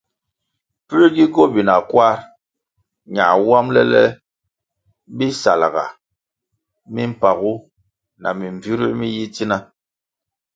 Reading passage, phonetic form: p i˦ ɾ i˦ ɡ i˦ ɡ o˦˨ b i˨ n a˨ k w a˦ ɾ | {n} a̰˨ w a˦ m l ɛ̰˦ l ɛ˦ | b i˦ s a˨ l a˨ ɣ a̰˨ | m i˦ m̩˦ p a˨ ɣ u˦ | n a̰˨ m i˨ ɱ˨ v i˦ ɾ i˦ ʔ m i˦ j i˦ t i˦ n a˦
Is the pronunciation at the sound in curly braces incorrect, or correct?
incorrect